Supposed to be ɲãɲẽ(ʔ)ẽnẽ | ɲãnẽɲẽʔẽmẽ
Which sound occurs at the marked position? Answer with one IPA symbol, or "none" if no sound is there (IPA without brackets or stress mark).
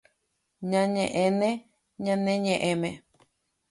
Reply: ʔ